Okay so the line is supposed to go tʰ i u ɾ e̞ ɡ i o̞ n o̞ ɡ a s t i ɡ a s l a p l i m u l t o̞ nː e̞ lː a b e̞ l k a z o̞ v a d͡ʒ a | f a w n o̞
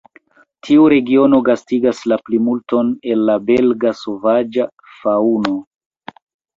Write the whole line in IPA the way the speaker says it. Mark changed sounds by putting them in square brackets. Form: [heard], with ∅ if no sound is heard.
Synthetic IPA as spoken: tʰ i u ɾ e̞ ɡ i o̞ n o̞ ɡ a s t i ɡ a s l a p l i m u l t o̞ [n] e̞ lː a b e̞ l [ɡ] a [s] o̞ v a d͡ʒ a | f a [u] n o̞